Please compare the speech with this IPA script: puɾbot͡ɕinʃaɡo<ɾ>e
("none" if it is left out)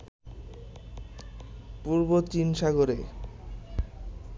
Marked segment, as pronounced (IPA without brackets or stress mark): ɾ